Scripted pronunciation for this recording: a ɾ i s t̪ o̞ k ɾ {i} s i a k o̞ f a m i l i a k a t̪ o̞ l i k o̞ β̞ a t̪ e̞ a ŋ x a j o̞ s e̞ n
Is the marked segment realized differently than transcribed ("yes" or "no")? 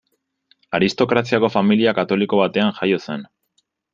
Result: yes